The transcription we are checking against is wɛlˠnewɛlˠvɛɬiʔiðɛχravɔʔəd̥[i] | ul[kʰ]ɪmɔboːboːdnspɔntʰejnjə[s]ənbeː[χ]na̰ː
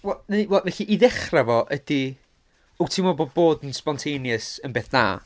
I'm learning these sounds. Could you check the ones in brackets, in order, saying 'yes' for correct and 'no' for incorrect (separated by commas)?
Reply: yes, no, yes, no